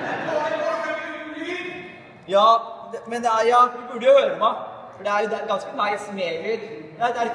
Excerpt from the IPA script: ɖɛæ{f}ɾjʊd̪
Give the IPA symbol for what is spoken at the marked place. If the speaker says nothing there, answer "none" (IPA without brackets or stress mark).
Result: none